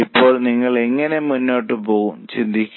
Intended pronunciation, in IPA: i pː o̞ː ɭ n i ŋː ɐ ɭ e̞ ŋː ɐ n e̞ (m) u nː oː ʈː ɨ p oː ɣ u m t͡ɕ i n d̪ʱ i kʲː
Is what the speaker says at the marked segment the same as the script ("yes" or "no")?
yes